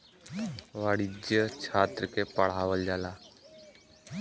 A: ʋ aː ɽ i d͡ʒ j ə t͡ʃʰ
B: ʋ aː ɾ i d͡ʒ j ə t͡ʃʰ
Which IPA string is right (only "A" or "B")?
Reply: A